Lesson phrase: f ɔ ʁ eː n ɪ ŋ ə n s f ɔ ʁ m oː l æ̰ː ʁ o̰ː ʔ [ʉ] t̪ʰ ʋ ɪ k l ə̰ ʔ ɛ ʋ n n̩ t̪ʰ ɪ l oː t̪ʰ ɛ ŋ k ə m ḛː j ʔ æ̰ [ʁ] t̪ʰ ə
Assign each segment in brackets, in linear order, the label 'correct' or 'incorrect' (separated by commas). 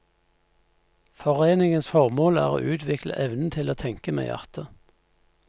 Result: incorrect, correct